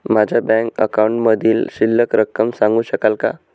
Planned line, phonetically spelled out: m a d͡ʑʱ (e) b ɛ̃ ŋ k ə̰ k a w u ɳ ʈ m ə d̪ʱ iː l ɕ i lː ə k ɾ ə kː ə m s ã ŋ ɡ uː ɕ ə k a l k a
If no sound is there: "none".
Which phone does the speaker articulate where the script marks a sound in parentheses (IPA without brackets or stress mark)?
a